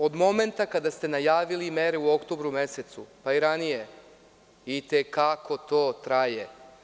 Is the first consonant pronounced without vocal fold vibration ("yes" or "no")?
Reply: no